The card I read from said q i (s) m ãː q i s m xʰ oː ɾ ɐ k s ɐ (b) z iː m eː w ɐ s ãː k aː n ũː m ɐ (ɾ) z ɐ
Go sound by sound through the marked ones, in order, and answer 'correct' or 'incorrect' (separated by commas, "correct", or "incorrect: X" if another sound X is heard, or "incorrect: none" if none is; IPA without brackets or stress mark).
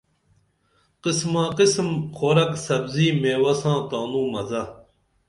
correct, correct, incorrect: none